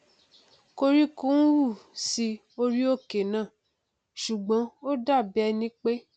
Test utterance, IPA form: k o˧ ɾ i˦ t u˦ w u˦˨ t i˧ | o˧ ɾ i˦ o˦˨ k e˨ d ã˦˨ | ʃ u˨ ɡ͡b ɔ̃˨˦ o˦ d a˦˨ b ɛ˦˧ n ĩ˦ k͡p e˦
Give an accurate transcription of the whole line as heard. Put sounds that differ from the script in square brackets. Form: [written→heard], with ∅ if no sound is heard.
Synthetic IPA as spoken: k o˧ ɾ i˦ [t→k] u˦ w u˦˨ [t→s] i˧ | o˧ ɾ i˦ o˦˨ k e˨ [d→n] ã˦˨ | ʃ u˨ ɡ͡b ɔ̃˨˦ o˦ d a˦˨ b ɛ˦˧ n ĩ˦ k͡p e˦

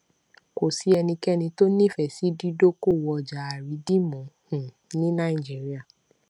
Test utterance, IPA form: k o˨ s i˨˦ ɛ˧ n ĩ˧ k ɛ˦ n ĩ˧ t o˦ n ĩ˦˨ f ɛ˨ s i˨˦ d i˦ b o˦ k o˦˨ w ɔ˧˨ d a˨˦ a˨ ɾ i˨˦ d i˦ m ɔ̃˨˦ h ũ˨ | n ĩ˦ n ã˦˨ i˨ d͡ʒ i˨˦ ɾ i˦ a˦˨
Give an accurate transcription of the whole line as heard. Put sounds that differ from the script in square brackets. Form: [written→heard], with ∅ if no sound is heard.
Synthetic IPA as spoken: k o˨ s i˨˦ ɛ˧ n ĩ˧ k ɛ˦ n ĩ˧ t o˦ n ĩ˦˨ f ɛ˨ s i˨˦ d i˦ [b→d] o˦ k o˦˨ w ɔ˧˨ [d→d͡ʒ] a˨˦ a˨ ɾ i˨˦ d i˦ m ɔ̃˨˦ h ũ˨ | n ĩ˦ n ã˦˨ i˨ d͡ʒ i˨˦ ɾ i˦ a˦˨

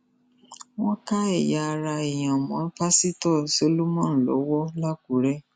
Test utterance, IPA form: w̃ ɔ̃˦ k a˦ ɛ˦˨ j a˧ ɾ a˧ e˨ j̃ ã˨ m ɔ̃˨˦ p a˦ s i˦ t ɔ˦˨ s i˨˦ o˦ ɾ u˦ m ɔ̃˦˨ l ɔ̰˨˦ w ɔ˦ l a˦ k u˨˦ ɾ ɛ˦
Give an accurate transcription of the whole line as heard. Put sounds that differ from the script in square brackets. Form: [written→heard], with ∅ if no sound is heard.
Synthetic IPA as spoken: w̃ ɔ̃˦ k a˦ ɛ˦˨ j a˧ ɾ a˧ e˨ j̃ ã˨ m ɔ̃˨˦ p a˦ s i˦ t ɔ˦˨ s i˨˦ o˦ [ɾ→l] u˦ m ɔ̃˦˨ l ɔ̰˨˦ w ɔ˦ l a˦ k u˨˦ ɾ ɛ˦

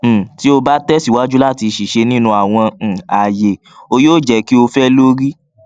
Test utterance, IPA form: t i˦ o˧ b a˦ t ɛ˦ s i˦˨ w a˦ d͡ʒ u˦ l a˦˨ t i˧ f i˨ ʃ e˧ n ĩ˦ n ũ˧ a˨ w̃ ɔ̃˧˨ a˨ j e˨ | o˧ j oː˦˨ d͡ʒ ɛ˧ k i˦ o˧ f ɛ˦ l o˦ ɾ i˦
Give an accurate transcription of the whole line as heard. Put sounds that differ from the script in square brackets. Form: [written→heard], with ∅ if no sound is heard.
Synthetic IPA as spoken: t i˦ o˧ b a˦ t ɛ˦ s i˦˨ w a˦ d͡ʒ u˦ l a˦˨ t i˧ [f→ʃ] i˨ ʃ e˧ n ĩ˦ n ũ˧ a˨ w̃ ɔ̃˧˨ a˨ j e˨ | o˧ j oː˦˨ d͡ʒ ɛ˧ k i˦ o˧ f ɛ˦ l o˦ ɾ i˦

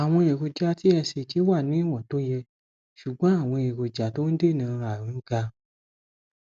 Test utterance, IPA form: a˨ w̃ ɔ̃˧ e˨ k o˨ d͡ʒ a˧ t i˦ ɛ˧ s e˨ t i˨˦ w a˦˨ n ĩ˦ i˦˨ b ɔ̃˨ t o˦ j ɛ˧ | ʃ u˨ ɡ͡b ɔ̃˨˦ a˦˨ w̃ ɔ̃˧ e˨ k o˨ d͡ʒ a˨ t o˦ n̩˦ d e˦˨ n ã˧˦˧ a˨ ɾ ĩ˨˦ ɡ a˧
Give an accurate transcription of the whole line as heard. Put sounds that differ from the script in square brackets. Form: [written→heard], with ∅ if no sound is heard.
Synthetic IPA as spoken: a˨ w̃ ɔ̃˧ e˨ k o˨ d͡ʒ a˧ t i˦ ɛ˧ s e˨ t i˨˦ w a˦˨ n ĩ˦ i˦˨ [b→w] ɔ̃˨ t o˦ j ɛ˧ | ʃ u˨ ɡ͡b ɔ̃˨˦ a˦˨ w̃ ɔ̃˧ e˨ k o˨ d͡ʒ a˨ t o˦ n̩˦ d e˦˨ n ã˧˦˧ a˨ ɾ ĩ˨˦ ɡ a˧

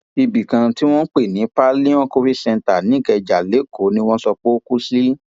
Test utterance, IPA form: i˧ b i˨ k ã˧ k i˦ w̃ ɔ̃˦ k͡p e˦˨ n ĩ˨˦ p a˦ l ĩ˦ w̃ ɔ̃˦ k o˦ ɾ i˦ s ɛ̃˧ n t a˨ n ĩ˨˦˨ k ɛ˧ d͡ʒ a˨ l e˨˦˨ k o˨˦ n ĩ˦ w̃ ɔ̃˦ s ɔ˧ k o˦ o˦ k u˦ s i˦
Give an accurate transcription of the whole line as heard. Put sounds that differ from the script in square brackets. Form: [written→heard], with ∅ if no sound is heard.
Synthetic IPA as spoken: i˧ b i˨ k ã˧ [k→t] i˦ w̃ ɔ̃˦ k͡p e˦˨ n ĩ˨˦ p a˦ l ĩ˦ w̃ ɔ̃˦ k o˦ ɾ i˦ s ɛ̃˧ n t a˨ n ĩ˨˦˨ k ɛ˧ d͡ʒ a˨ l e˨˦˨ k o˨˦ n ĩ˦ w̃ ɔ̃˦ s ɔ˧ [k→k͡p] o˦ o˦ k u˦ s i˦

